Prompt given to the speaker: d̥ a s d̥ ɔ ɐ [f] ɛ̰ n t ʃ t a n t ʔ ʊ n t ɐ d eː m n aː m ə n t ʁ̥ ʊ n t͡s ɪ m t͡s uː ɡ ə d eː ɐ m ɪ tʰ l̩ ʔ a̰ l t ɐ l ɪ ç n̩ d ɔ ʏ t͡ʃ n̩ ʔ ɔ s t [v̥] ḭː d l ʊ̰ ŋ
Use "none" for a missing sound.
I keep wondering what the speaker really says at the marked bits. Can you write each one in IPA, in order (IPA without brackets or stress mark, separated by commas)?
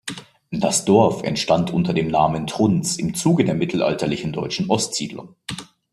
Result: f, z̥